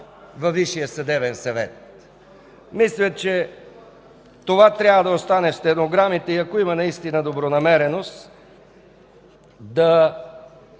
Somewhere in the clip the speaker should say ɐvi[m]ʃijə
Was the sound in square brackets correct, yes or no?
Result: no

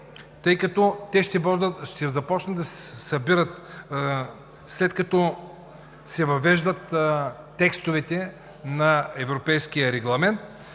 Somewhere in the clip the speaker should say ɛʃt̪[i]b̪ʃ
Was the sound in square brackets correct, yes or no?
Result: no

